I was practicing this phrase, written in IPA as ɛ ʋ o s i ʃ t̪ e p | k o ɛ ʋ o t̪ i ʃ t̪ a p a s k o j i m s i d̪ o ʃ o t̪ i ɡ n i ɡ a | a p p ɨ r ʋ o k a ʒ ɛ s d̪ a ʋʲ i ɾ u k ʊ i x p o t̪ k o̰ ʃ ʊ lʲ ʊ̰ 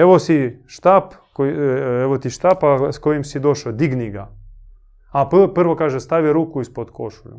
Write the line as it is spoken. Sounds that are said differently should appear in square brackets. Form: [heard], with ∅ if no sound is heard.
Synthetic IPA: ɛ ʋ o s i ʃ t̪ [a] p | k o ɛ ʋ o t̪ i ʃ t̪ a p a s k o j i m s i d̪ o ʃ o [d̪] i ɡ n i ɡ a | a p p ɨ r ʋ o k a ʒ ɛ s [t̪] a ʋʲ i ɾ u k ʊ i [s] p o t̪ k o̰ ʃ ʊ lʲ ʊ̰